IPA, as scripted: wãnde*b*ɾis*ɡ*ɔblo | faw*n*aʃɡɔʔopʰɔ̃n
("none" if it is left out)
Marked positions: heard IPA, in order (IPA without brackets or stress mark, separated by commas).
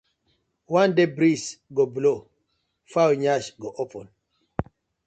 b, ɡ, ɲ